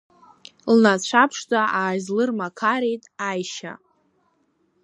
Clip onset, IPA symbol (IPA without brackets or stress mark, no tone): l